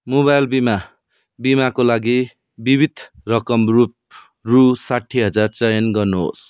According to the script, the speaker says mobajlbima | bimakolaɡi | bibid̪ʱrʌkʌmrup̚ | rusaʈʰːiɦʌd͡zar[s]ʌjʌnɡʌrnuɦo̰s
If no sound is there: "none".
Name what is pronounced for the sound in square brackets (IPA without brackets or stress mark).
t͡s